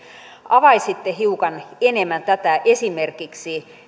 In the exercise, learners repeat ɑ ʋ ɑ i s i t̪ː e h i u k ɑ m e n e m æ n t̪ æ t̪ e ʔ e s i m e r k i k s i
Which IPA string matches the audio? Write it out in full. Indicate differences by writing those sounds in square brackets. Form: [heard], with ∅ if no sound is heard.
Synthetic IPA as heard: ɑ ʋ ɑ i s i t̪ː e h i u k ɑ [n] e n e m æ n t̪ æ t̪ [æ] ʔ e s i m e r k i k s i